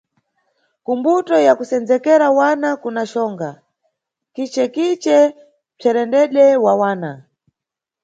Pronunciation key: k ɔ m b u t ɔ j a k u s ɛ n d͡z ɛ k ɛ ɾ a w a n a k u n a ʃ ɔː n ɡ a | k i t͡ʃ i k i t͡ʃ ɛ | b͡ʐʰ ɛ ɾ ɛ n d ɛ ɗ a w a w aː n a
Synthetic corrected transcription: k u m b u t ɔ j a k u s ɛ n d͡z ɛ k ɛ ɾ a w a n a k u n a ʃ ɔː ŋ ɡ a | k i t͡ʃ ɛ k i t͡ʃ ɛ | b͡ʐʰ ɛ ɾ ɛ n d ɛ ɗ ɛ w a w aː n a